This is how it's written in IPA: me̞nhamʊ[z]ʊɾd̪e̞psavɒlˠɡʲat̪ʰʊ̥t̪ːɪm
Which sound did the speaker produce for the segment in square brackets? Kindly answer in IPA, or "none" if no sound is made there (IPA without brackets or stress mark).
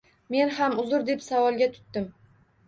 z